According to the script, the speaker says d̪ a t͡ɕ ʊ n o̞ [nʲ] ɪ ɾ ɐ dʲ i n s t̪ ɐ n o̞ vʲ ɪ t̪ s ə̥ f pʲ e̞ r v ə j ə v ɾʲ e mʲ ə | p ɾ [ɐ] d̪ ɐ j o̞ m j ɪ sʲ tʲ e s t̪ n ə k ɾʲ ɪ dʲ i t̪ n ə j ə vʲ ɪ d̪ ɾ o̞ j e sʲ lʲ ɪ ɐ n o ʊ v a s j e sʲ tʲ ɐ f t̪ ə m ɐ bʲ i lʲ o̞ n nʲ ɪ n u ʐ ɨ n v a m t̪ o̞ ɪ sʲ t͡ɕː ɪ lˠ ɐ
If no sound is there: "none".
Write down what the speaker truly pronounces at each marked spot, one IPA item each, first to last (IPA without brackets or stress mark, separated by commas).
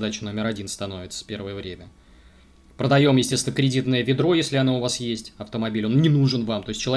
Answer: mʲ, ə